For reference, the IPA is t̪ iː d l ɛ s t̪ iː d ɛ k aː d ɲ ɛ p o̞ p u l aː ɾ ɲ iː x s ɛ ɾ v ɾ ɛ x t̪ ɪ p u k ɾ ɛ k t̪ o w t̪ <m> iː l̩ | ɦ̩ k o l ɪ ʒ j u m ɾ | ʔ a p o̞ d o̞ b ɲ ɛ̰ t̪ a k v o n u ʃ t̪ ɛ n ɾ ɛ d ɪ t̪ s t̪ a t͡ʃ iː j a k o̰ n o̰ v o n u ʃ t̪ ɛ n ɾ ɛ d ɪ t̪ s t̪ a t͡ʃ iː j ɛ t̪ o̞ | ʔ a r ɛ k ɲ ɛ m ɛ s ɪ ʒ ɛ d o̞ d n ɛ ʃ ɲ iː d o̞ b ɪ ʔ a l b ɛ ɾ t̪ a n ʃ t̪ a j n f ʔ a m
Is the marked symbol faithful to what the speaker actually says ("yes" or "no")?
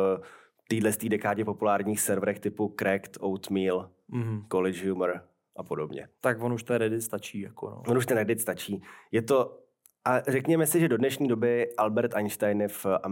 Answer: yes